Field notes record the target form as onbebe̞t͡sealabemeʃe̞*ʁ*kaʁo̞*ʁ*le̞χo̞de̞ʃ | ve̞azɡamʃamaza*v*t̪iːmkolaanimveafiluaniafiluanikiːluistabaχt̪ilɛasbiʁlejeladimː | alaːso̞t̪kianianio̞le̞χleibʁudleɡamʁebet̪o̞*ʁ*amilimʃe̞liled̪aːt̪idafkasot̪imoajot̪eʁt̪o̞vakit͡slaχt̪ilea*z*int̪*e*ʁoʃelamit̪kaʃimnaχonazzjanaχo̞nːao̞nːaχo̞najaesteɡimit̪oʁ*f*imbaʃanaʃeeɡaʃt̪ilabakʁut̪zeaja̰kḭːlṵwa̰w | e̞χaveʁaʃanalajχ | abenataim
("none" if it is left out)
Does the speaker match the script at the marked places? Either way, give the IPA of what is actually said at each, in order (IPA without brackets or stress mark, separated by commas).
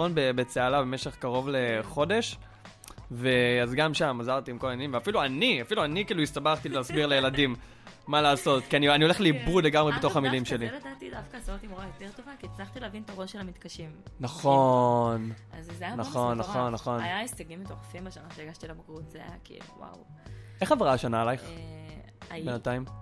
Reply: χ, v, ʁ, χ, v, a, f